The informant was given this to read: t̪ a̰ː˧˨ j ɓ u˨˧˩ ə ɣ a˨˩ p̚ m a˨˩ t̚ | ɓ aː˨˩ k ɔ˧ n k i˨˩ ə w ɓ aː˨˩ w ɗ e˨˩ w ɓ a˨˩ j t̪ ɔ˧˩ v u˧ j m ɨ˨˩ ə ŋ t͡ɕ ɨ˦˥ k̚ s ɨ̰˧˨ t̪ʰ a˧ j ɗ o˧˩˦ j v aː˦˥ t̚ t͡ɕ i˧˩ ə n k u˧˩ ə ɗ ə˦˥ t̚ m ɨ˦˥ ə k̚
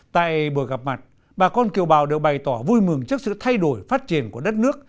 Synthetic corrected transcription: t̪ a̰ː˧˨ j ɓ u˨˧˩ ə ɣ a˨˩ p̚ m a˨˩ t̚ | ɓ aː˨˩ k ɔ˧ n k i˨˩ ə w ɓ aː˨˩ w ɗ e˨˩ w ɓ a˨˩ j t̪ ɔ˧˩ v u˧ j m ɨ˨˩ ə ŋ t͡ɕ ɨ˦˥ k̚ s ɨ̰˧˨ t̪ʰ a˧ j ɗ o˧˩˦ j f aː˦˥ t̚ t͡ɕ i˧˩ ə n k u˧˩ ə ɗ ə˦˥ t̚ n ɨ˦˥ ə k̚